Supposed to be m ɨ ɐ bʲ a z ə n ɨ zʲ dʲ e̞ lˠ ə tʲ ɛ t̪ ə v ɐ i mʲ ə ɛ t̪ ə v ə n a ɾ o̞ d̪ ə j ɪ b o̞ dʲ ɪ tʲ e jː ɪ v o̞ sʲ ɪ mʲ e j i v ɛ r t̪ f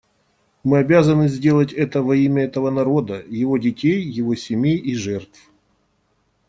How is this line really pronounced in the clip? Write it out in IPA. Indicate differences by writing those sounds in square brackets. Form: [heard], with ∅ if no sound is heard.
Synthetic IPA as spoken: m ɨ ɐ bʲ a z ə n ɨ zʲ dʲ e̞ lˠ ə tʲ ɛ t̪ ə v ɐ i mʲ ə ɛ t̪ ə v ə n [ɐ] ɾ o̞ d̪ ə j ɪ [v] o̞ dʲ ɪ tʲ e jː ɪ v o̞ sʲ ɪ mʲ e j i [ʐ] ɛ r t̪ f